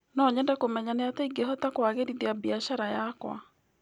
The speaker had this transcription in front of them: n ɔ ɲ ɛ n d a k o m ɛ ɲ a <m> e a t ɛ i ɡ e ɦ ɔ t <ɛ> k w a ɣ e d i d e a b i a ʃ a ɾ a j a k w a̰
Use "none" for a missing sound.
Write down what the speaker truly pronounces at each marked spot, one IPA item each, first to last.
n, a

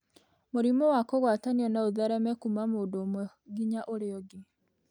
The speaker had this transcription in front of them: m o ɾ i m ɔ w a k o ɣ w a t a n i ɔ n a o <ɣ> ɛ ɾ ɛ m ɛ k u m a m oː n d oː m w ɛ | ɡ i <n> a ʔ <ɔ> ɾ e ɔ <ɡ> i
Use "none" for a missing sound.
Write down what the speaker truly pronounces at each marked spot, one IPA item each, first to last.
ð, ɲ, o, ɡ

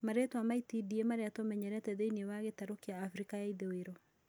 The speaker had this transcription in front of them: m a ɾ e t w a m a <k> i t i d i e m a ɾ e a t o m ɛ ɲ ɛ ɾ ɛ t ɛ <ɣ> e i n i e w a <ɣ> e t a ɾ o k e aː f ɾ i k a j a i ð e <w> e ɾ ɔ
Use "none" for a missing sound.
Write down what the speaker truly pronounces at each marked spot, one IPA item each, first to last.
none, ð, ɣ, w

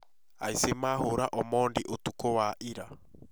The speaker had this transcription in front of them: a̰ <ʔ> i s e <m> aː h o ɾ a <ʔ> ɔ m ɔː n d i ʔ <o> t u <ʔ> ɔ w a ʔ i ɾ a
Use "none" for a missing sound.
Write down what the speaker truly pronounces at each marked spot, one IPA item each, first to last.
none, m, ʔ, o, k

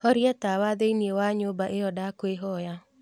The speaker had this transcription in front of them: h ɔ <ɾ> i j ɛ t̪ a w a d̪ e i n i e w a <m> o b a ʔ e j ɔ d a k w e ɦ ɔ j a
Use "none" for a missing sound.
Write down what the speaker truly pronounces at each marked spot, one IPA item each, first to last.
ɾ, ɲ

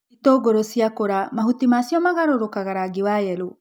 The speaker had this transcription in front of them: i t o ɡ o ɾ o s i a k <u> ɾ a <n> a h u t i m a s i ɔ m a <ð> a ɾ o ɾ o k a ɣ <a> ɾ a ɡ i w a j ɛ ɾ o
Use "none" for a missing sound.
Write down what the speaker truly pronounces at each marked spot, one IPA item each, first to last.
o, m, ɣ, a

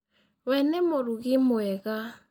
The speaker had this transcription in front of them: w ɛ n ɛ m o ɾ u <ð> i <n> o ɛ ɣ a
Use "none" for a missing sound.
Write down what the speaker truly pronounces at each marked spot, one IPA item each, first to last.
ɣ, m

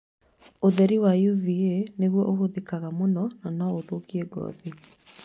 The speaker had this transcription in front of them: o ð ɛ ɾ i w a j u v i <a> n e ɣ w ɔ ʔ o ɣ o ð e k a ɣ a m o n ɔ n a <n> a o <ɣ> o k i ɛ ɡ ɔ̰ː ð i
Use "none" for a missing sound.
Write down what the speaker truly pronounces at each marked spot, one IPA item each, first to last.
e, n, ð

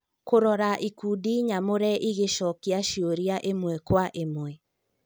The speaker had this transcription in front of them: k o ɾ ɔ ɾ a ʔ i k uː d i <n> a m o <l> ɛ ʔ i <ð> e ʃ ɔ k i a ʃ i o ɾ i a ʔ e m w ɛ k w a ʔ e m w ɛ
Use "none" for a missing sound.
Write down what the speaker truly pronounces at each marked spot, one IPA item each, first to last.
ɲ, ɾ, ɣ

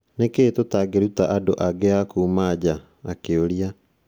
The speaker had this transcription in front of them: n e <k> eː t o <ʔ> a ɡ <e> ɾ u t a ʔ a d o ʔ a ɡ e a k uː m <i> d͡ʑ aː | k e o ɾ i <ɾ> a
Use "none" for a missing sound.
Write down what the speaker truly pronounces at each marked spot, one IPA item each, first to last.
k, t, e, a, none

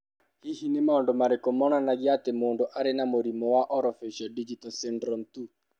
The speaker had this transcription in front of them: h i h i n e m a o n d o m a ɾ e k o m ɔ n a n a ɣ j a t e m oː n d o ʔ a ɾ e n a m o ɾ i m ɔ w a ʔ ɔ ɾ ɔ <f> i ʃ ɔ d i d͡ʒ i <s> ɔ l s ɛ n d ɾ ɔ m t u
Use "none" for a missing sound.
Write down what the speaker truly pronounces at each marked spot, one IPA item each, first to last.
f, t

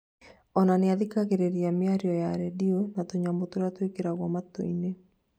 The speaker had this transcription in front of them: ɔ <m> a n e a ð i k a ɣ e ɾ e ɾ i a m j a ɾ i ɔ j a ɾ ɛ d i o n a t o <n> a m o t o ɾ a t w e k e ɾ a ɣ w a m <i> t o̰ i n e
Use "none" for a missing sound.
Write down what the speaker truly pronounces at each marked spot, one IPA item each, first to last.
n, ɲ, a

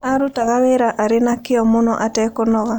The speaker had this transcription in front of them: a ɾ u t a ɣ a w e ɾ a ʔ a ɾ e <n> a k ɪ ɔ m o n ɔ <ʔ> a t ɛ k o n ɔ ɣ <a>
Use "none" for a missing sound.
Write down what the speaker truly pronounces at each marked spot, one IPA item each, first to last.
n, ʔ, a

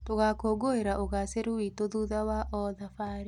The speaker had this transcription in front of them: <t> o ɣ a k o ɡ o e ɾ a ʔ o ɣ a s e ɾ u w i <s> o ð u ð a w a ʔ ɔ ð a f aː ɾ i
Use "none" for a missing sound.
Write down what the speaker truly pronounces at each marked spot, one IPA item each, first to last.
t, t

